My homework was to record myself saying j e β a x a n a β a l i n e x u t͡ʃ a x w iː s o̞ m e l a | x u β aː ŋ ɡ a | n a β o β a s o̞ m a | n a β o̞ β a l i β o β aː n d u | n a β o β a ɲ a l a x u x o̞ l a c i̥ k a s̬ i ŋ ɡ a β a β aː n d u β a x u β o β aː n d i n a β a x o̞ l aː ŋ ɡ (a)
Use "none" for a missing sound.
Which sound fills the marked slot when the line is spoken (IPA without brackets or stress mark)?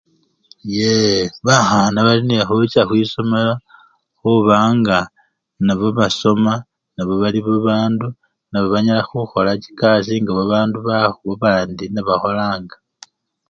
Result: a